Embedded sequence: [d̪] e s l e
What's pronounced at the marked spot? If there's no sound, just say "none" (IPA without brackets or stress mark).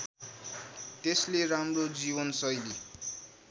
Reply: t̪